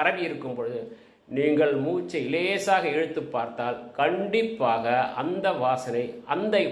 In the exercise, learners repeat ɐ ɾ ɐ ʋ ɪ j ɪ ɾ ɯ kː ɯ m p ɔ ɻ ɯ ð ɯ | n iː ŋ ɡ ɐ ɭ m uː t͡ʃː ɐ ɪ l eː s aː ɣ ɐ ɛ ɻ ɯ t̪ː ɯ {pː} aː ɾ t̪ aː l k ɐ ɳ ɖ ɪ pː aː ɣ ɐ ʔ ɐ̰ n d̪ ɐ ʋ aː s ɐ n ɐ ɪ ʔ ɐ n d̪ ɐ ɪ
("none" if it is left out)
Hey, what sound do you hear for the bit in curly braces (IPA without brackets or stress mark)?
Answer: pː